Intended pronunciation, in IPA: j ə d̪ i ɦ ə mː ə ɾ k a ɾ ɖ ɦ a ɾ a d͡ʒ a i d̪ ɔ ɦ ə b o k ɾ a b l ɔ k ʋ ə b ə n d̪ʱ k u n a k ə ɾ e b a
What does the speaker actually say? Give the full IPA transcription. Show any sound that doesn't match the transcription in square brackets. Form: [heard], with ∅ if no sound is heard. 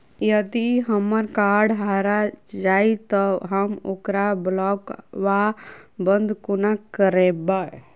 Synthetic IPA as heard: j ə d̪ i ɦ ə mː ə ɾ k a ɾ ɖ ɦ a ɾ a d͡ʒ a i [t̪] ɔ ɦ ə [m] o k ɾ a b l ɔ k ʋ [a] b ə n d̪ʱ k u n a k ə ɾ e b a